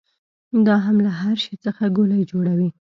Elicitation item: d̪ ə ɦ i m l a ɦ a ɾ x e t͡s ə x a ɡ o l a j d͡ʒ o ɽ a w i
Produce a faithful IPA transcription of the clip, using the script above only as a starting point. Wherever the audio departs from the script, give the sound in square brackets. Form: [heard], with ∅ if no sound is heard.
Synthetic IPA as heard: d̪ [ɑ] ɦ [a] m l a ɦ a ɾ [ʃ] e t͡s ə x a ɡ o l a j d͡ʒ o ɽ a w i